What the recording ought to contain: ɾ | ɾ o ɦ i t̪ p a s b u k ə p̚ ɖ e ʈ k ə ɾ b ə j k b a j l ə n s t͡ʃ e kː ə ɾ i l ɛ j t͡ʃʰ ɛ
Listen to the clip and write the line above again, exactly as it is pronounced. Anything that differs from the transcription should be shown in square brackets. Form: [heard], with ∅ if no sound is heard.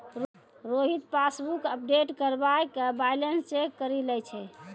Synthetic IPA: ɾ | ɾ o ɦ i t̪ p a s b u k ə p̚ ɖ e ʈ k ə ɾ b [a] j k b a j l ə n s t͡ʃ e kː ə ɾ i l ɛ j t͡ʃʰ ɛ